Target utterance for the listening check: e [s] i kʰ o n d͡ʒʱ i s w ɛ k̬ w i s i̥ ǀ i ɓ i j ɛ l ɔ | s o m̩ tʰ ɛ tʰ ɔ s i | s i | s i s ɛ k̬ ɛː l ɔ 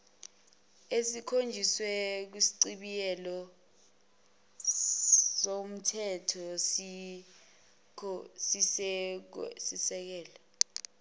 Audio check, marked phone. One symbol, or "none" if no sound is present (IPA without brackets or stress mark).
s